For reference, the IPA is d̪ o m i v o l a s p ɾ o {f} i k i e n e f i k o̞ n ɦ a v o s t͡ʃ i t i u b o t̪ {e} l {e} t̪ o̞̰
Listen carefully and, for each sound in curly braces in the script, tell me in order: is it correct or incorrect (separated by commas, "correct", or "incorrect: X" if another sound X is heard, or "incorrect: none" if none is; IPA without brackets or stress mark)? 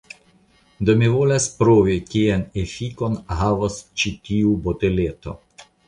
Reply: incorrect: v, correct, correct